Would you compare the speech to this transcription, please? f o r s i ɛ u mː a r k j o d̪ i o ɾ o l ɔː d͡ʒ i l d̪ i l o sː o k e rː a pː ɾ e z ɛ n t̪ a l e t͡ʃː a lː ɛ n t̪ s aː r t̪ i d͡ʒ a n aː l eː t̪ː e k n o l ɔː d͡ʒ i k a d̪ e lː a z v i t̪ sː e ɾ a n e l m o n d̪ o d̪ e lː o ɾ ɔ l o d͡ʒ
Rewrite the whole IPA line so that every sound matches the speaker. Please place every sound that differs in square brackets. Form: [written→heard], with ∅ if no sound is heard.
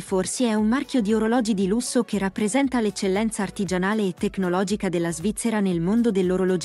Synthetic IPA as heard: f o r s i ɛ u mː a r k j o d̪ i o ɾ o l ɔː d͡ʒ i [l→∅] d̪ i l [o→u] sː o k e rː a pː ɾ e z ɛ n t̪ a l e t͡ʃː [a→e] lː ɛ n t̪ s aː r t̪ i d͡ʒ a n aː l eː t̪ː e k n o l ɔː d͡ʒ i k a d̪ e lː a z v i t̪ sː e ɾ a n e l m o n d̪ o d̪ e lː o ɾ [ɔ→o] l o d͡ʒ